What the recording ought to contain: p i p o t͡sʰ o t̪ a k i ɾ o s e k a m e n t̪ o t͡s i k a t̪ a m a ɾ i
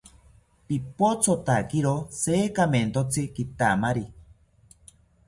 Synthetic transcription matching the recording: p i p o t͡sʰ o t̪ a k i ɾ o s e k a m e n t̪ o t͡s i k i t̪ a m a ɾ i